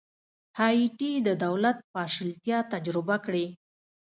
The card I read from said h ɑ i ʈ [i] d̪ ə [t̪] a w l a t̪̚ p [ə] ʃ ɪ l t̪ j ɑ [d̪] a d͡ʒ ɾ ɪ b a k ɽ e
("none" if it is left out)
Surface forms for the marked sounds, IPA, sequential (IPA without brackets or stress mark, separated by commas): i, d̪, ɑ, t̪